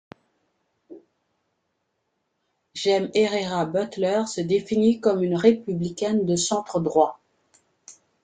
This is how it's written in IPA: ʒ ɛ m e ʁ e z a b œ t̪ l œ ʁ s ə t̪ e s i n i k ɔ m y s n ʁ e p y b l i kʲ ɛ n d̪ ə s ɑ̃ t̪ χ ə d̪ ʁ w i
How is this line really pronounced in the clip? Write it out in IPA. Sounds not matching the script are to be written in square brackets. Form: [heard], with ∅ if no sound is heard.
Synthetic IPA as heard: ʒ ɛ m e ʁ e [ʁ] a b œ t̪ l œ ʁ s ə [d̪] e [f] i n i k ɔ m y [∅] n ʁ e p y b l i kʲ ɛ n d̪ ə s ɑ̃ t̪ χ ə d̪ ʁ w [a]